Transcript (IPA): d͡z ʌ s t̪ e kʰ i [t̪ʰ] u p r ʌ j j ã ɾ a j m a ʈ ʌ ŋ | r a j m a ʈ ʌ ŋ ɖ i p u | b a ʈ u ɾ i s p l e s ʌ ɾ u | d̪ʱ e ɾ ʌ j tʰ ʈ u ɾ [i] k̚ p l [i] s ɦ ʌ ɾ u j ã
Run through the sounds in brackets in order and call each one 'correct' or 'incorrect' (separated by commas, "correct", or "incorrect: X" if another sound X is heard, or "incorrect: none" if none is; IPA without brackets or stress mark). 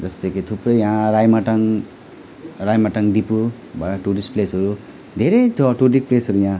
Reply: correct, correct, incorrect: e